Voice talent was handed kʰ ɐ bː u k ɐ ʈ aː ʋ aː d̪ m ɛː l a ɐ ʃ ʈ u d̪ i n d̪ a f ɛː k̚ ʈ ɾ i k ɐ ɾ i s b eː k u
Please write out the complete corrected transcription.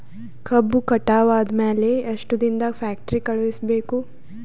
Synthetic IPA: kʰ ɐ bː u k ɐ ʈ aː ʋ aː d̪ m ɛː l e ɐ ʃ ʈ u d̪ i n d̪ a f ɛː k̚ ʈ ɾ i k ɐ ɭ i s b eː k u

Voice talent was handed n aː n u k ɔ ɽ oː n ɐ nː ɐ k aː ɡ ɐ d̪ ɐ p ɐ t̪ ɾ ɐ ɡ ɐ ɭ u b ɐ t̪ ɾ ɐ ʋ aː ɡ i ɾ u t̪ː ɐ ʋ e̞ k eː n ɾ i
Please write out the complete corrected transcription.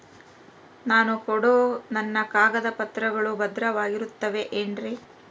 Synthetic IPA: n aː n u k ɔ ɽ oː n ɐ nː ɐ k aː ɡ ɐ d̪ ɐ p ɐ t̪ ɾ ɐ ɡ ɐ ɭ u b ɐ d̪ ɾ ɐ ʋ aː ɡ i ɾ u t̪ː ɐ ʋ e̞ ʔ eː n ɾ i

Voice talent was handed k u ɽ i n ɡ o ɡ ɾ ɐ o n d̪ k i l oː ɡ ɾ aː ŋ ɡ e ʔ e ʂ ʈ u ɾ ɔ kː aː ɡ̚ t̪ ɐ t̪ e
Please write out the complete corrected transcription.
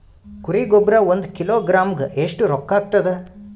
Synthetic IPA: k u ɾ i ɡ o b ɾ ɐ o n d̪ k i l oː ɡ ɾ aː m ɡ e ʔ e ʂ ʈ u ɾ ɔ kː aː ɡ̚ t̪ ɐ d̪ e

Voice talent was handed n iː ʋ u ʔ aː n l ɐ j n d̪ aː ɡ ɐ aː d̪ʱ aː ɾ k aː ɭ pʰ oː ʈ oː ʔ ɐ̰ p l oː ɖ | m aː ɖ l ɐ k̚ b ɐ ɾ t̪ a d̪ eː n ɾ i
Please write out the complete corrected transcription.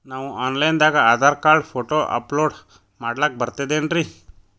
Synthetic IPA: n aː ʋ u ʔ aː n l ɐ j n d̪ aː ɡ ɐ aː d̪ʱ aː ɾ k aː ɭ pʰ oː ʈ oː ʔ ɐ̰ p l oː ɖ | m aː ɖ l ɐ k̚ b ɐ ɾ t̪ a d̪ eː n ɾ i

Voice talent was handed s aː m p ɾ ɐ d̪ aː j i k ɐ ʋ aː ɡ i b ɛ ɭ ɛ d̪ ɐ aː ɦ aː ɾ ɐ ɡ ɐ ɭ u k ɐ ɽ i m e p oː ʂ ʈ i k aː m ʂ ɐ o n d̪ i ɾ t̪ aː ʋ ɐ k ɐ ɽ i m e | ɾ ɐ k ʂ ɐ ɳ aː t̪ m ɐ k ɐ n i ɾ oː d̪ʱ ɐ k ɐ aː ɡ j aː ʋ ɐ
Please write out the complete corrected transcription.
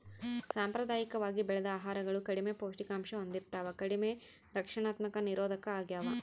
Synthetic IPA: s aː m p ɾ ɐ d̪ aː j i k ɐ ʋ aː ɡ i b ɛ ɭ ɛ d̪ ɐ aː ɦ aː ɾ ɐ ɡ ɐ ɭ u k ɐ ɽ i m e p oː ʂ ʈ i k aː m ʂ ɐ o n d̪ i ɾ t̪ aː ʋ ɐ k ɐ ɽ i m e | ɾ ɐ k ʂ ɐ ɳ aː t̪ m ɐ k ɐ n i ɾ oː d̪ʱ ɐ k ɐ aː ɡ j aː ʋ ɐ

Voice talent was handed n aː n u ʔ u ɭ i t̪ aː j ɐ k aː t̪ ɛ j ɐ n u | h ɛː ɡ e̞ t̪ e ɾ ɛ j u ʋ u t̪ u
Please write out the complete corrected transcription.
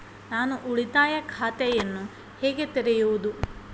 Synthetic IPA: n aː n u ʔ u ɭ i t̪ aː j ɐ kʰ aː t̪ ɛ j ɐ nː u | h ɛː ɡ e̞ t̪ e ɾ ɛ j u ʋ u d̪ u

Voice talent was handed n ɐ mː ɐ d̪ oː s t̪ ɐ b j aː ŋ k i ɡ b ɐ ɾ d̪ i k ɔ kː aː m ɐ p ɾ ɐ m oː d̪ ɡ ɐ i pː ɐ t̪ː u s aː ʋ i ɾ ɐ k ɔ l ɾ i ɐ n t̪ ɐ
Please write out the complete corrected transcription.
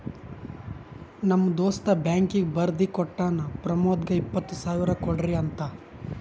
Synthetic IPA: n ɐ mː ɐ d̪ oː s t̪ ɐ b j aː ŋ k i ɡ b ɐ ɾ d̪ i k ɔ ʈː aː n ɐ p ɾ ɐ m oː d̪ ɡ ɐ i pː ɐ t̪ː u s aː ʋ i ɾ ɐ k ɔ ɽ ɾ i ɐ n t̪ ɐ

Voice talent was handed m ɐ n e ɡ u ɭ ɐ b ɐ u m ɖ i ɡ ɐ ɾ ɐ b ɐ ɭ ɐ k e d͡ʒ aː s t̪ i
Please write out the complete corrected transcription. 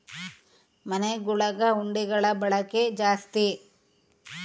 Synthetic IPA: m ɐ n e ɡ u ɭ ɐ ɡ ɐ u ɳ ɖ i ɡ ɐ ɭ ɐ b ɐ ɭ ɐ k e d͡ʒ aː s t̪ i

